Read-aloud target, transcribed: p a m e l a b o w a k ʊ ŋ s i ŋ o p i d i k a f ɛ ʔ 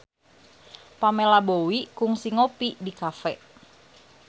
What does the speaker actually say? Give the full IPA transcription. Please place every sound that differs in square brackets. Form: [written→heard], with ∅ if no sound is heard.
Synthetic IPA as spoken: p a m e l a b o w [a→i] k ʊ ŋ s i ŋ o p i d i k a f ɛ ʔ